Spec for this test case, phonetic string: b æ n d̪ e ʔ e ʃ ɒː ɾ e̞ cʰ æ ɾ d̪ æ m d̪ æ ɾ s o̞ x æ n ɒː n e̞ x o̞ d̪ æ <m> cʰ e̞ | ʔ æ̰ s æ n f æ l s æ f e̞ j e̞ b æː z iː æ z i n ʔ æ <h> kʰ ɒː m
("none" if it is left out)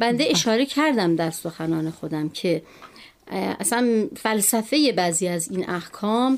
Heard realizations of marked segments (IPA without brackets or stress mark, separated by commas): m, h